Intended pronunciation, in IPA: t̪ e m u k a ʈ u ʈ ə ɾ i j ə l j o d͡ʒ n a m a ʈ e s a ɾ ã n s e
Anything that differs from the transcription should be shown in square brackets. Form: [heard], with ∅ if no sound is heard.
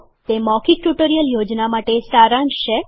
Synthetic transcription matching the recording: t̪ e m [ɔ] k [i] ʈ u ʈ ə ɾ i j ə l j o d͡ʒ n a m a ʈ e s a ɾ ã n [ʃ] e